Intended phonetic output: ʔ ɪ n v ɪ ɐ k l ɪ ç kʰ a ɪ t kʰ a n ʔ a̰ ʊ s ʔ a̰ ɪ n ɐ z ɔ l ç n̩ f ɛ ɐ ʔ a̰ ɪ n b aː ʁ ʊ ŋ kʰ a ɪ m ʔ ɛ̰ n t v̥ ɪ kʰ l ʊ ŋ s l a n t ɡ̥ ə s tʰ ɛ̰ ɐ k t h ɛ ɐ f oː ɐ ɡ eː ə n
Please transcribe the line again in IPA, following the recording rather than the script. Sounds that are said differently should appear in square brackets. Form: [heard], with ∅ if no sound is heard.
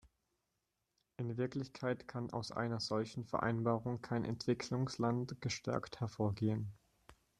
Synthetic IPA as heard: ʔ ɪ n v ɪ ɐ k l ɪ ç kʰ a ɪ t kʰ a n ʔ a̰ ʊ s ʔ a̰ ɪ n ɐ z ɔ l ç n̩ f ɛ ɐ ʔ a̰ ɪ n b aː ʁ ʊ ŋ kʰ a ɪ [n] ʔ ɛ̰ n t v̥ ɪ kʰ l ʊ ŋ s l a n t ɡ̥ ə [ʃ] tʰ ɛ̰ ɐ k t h ɛ ɐ f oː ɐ ɡ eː ə n